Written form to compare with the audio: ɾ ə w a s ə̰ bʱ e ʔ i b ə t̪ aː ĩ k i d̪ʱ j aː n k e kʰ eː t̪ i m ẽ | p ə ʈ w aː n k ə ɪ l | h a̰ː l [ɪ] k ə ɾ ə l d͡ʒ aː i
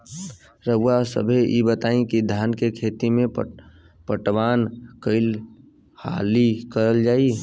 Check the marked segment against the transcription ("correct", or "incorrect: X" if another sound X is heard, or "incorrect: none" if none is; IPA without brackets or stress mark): incorrect: i